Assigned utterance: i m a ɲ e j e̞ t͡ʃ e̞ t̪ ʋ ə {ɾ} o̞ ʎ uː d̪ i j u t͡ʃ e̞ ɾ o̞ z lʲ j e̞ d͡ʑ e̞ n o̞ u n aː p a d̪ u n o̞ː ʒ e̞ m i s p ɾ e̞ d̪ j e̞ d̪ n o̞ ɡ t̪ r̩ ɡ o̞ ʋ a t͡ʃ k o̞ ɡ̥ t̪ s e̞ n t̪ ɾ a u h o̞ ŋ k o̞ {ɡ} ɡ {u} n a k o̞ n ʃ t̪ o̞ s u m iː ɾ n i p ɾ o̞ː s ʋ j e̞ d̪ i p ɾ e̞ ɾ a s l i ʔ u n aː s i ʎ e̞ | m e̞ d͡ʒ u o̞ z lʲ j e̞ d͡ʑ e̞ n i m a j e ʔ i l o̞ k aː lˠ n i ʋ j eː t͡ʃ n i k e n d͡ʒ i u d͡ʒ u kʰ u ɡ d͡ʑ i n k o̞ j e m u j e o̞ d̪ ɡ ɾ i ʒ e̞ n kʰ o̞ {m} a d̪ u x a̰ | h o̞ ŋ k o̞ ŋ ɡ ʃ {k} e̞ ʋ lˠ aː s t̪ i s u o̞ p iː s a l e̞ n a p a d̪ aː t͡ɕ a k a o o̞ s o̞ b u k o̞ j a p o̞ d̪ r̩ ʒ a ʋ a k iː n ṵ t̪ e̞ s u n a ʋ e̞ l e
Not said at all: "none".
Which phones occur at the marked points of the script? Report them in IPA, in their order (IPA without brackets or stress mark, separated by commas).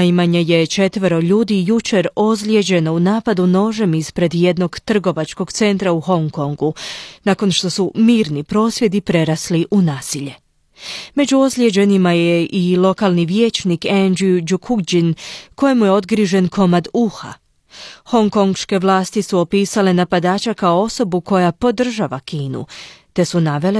ɾ, ŋ, u, m, k